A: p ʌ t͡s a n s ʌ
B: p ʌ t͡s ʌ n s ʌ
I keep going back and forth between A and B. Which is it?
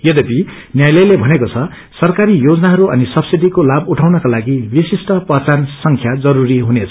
A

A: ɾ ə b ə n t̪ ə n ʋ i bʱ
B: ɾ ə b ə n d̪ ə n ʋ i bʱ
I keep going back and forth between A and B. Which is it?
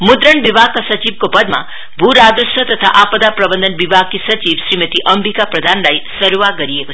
B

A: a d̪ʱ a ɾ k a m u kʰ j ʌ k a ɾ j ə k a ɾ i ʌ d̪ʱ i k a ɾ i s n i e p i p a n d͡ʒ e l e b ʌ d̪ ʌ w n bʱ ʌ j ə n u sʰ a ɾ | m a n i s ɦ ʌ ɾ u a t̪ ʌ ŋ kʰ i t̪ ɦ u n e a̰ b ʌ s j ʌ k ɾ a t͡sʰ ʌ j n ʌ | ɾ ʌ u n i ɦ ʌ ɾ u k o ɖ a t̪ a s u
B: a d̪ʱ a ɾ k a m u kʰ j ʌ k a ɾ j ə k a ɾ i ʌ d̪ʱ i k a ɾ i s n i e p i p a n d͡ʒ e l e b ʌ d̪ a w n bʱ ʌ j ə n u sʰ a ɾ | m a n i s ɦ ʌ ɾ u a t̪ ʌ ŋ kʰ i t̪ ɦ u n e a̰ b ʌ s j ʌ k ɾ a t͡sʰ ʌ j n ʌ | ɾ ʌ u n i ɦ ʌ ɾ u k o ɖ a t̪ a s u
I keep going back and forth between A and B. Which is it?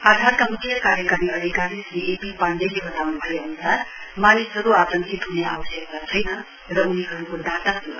B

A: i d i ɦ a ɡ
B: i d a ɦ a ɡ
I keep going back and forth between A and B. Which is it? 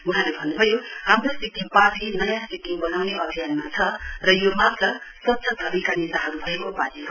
B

